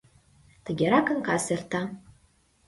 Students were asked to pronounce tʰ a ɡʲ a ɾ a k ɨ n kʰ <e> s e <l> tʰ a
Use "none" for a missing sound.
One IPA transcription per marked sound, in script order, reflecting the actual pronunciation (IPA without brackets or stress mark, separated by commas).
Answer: a, r